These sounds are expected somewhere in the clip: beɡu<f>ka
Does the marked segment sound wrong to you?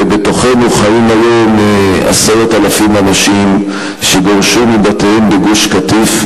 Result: yes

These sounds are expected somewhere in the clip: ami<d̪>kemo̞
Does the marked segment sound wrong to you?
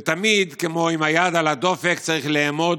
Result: no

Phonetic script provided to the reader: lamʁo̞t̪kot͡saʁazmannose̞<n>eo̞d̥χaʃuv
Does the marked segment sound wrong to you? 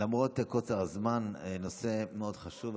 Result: yes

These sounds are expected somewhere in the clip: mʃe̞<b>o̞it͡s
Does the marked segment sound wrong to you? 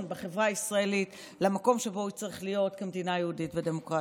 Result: no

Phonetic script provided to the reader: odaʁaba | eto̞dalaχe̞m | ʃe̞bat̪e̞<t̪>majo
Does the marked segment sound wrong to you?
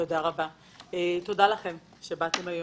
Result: yes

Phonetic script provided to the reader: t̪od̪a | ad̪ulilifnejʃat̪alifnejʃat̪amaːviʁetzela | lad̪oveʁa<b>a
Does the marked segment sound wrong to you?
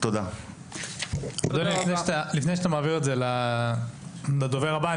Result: no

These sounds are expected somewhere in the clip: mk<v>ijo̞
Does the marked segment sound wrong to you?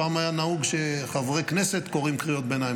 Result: yes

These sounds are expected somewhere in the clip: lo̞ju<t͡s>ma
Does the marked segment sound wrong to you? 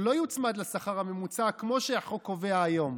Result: no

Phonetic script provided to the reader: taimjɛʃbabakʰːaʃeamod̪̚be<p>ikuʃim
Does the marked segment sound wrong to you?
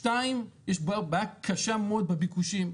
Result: yes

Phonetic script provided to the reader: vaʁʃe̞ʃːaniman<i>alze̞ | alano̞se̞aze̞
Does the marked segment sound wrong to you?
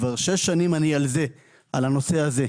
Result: no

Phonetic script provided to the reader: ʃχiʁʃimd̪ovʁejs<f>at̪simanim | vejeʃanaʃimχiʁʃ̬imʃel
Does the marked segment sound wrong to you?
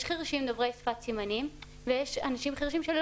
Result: no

